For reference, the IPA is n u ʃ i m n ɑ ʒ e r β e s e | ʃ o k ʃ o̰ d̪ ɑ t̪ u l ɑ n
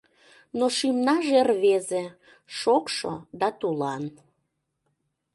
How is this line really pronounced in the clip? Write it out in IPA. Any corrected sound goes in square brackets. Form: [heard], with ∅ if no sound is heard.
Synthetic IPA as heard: n [o] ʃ i m n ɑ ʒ e r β e [z] e | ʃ o k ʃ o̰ d̪ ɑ t̪ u l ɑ n

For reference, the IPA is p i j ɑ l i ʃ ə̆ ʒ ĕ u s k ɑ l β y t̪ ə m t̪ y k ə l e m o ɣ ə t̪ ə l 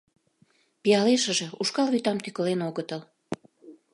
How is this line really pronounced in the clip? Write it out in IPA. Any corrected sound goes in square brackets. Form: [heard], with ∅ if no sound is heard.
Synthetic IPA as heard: p i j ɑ l [e] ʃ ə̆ ʒ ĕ u [ʃ] k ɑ l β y t̪ [ɑ] m t̪ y k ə l e [n] o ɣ ə t̪ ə l

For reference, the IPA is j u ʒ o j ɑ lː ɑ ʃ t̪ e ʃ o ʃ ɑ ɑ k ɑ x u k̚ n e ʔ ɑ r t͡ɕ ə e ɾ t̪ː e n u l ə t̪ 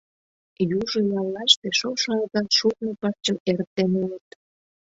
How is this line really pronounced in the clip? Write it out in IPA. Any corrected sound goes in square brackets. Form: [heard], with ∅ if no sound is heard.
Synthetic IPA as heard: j u ʒ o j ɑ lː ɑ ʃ t̪ e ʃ o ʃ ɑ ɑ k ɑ [ʃ] u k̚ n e [p] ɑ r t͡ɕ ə e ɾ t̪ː e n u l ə t̪

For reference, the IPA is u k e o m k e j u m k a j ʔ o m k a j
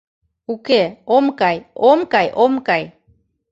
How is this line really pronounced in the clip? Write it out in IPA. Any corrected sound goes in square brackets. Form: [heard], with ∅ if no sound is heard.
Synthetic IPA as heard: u k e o m k [a] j [o] m k a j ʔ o m k a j

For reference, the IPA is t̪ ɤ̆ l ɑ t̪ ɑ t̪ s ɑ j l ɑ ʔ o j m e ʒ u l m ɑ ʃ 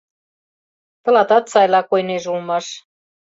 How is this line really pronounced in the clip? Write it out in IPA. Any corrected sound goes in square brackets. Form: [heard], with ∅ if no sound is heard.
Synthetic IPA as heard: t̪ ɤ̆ l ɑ t̪ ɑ t̪ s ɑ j l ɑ [k] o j [n] e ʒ u l m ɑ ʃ

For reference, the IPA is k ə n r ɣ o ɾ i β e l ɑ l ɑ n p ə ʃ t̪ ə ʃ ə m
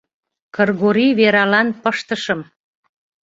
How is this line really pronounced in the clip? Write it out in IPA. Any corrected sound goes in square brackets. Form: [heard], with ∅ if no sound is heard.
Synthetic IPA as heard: k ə [∅] r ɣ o ɾ i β e [ɾ] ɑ l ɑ n p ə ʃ t̪ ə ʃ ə m

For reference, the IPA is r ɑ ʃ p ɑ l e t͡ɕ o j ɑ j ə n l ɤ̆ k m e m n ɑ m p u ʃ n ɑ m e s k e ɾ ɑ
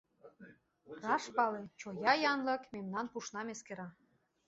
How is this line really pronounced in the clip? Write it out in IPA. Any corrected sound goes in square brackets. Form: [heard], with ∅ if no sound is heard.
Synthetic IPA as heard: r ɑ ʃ p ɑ l e t͡ɕ o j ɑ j [ɑ] n l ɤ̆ k m e m n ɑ [n] p u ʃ n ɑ m e s k e ɾ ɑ

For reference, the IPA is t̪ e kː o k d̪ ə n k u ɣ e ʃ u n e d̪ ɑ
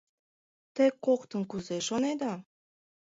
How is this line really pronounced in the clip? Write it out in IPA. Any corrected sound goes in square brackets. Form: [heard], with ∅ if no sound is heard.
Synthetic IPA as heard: t̪ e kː o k [t̪] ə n k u [z] e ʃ [o] n e d̪ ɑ

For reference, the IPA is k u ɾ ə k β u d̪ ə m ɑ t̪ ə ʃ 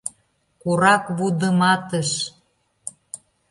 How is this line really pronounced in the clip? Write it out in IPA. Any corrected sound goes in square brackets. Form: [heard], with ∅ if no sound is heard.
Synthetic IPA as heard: k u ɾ [ɑ] k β u d̪ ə m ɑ t̪ ə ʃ

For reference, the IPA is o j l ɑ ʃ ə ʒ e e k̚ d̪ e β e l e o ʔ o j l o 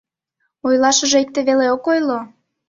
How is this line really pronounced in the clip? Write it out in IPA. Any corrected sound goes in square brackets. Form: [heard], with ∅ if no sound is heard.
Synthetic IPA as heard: o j l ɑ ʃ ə ʒ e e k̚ [t̪] e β e l e o [k] o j l o

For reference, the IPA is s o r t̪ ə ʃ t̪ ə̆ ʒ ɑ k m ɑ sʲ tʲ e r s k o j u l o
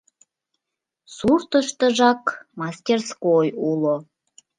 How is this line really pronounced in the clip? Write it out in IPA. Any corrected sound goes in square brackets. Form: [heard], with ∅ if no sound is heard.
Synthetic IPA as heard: s [u] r t̪ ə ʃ t̪ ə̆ ʒ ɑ k m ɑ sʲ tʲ e r s k o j u l o

